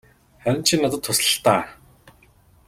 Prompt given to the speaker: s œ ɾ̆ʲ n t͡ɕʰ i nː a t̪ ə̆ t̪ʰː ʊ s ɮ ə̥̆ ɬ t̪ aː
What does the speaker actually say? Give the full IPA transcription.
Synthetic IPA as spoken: χ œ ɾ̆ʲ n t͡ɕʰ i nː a t̪ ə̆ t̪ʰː ʊ s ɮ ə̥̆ ɬ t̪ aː